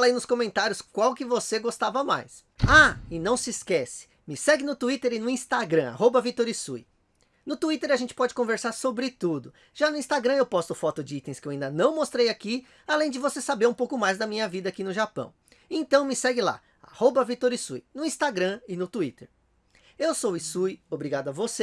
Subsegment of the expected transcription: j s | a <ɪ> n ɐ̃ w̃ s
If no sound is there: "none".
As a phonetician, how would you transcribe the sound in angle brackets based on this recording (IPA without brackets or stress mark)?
ɪ